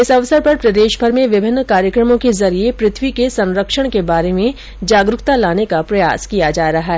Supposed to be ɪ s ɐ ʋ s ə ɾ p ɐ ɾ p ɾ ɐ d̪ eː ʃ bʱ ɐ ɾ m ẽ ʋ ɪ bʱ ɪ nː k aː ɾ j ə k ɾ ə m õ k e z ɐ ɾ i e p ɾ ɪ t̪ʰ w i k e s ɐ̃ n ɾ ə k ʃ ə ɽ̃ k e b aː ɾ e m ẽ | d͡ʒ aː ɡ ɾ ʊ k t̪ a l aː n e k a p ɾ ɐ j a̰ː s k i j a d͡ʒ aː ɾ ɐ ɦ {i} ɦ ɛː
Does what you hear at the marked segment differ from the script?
yes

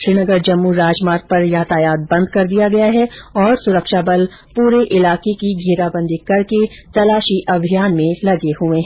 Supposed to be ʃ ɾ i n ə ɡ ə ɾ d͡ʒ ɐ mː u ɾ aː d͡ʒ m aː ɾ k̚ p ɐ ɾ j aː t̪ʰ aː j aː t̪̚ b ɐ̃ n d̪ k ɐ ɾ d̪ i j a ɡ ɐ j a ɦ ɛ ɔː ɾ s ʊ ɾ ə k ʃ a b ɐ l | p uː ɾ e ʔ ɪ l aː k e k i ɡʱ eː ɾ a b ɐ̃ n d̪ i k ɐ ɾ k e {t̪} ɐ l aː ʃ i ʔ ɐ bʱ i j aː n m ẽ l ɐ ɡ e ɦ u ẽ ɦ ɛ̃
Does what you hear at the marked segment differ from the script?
no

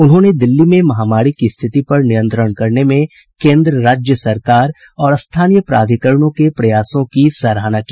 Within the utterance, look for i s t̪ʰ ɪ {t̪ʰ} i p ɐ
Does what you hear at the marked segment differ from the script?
yes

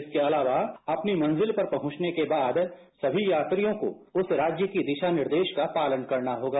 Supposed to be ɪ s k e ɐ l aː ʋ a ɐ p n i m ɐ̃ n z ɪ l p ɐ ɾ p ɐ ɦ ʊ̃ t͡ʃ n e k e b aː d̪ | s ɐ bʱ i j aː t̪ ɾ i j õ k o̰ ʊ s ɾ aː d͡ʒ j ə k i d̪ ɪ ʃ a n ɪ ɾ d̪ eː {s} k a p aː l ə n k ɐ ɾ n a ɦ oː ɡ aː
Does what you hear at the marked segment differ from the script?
yes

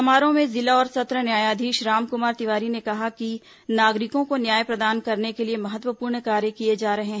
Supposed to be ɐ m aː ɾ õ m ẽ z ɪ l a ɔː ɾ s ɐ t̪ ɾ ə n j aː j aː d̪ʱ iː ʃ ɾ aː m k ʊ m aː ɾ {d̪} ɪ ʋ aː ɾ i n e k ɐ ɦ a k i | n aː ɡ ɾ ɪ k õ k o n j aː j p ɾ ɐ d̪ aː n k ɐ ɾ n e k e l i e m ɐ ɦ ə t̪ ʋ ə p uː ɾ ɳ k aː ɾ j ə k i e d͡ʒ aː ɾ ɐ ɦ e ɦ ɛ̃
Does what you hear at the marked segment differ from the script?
yes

